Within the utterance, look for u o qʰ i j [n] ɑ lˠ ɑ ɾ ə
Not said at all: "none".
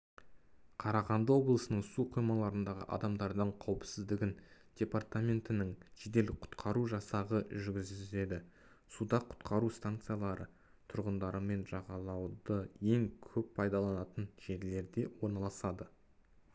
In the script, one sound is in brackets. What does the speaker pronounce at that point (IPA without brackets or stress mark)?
m